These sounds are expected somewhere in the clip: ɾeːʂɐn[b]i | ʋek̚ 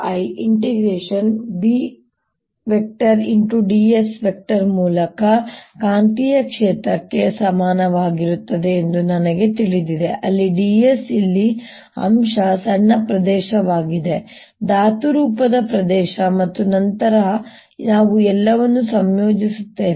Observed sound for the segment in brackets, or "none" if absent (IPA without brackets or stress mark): b